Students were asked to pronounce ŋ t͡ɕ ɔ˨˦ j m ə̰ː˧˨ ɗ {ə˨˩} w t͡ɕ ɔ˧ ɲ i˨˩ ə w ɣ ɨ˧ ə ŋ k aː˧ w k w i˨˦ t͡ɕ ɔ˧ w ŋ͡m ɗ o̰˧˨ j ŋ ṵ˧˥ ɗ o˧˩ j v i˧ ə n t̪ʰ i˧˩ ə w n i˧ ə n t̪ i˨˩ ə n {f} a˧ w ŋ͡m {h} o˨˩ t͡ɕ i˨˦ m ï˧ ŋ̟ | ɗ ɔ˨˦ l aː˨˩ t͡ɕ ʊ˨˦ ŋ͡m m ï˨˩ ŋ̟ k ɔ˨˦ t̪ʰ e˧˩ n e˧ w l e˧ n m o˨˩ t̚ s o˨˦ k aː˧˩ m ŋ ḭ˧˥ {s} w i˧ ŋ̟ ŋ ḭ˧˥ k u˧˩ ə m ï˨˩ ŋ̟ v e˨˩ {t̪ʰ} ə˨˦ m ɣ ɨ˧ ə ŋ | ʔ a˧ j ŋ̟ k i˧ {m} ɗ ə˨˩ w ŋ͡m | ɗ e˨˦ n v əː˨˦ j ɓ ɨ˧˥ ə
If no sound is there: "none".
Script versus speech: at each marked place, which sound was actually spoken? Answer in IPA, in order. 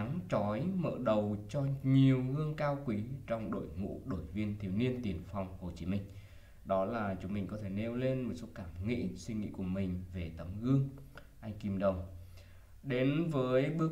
ə˨˩, f, h, s, t̪, m

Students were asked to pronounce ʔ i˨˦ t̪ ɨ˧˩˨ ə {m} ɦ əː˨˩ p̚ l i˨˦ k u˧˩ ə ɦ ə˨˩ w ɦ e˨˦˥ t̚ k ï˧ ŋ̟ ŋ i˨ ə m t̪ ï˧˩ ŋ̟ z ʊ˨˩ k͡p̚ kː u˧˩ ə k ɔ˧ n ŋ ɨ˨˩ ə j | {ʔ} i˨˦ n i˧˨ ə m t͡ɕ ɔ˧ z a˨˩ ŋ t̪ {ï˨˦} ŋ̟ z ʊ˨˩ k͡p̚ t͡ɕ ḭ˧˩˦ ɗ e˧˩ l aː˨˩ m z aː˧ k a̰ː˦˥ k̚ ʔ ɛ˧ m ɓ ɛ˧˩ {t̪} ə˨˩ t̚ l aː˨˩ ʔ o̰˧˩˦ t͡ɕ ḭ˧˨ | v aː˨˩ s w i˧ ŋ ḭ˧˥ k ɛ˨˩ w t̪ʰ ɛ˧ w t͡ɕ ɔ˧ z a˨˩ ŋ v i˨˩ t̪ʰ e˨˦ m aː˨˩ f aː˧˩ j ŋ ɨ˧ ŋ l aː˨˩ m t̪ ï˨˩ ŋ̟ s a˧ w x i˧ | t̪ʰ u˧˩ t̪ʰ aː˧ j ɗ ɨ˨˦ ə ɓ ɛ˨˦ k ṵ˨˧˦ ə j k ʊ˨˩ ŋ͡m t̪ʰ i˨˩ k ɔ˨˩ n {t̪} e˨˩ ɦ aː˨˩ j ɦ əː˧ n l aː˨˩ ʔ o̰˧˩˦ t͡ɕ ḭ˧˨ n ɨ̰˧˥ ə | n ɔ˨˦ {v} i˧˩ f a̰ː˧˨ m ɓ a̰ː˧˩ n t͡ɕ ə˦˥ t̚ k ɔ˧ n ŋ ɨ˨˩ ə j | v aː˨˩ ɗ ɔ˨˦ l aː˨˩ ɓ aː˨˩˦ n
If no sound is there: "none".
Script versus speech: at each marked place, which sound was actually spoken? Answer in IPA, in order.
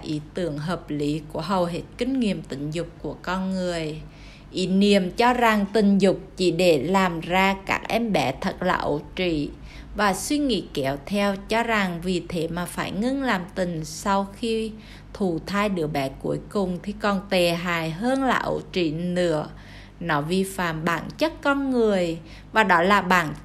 ŋ, ʔ, ï˨˩, t̪ʰ, t̪, v

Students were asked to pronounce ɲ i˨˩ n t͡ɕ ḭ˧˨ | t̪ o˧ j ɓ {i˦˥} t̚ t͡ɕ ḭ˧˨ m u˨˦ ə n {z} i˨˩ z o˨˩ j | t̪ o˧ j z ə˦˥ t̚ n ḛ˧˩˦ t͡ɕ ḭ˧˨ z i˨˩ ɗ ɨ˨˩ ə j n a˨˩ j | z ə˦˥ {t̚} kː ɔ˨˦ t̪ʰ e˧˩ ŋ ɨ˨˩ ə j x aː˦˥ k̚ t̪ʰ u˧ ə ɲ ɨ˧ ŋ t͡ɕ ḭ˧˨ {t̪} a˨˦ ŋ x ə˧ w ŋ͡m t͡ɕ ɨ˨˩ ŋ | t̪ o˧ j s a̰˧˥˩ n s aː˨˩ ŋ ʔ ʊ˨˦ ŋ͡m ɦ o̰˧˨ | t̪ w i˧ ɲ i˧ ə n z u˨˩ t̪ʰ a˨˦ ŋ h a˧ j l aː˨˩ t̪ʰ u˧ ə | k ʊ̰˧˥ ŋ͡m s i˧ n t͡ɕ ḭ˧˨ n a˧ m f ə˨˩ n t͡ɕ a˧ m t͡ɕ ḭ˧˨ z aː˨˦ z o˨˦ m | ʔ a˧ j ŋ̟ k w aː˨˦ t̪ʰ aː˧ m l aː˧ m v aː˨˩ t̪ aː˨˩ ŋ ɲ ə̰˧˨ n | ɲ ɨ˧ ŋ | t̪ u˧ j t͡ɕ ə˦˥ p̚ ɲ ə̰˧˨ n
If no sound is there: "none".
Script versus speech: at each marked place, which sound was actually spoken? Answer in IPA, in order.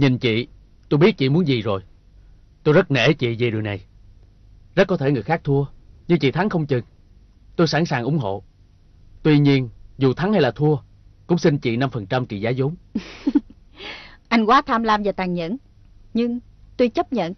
i˦˥, z, t̚, t̪ʰ

